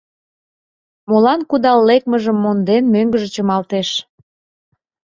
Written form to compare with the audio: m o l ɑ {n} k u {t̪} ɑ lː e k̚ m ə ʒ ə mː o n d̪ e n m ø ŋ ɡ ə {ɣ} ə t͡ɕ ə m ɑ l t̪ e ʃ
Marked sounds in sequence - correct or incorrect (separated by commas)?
correct, incorrect, incorrect